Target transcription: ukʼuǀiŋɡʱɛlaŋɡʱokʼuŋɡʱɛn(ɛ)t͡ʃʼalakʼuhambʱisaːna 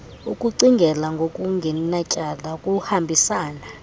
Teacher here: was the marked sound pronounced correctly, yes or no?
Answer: no